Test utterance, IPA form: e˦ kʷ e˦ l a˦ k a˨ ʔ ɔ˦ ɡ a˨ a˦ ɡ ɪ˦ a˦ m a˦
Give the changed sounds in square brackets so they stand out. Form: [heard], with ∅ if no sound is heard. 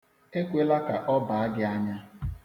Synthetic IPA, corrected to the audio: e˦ kʷ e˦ l a˦ k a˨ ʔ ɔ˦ [b] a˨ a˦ ɡ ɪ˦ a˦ [ɲ] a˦